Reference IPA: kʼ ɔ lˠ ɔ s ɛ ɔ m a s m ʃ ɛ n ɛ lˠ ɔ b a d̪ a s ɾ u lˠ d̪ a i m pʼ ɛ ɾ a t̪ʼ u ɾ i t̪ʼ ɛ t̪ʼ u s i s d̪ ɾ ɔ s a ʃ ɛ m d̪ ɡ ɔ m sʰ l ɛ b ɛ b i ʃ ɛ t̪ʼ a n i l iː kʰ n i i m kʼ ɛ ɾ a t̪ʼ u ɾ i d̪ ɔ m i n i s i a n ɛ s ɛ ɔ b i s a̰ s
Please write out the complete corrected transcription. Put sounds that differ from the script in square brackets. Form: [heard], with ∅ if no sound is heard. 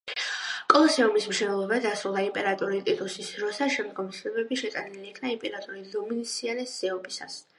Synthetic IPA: kʼ ɔ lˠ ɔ s ɛ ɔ m [i] s m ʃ ɛ n ɛ lˠ ɔ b a d̪ a s ɾ u lˠ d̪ a i m pʼ ɛ ɾ a t̪ʼ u ɾ i t̪ʼ [i] t̪ʼ u s i s d̪ ɾ ɔ s a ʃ ɛ m d̪ ɡ ɔ m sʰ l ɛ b ɛ b i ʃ ɛ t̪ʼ a n i l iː kʰ n [a] i m [pʼ] ɛ ɾ a t̪ʼ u ɾ i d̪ ɔ m i n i s i a n ɛ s ɛ ɔ b i s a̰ s